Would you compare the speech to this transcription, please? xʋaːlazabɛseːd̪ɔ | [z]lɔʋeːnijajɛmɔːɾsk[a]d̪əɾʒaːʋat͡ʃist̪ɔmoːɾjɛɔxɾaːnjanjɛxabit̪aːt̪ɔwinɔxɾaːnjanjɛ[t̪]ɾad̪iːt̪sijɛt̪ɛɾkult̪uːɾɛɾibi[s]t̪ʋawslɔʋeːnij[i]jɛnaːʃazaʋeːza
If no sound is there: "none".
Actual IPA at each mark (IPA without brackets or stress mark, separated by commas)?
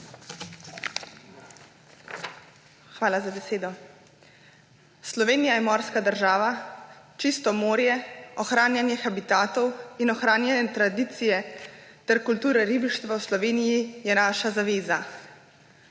s, a, t̪, ʃ, i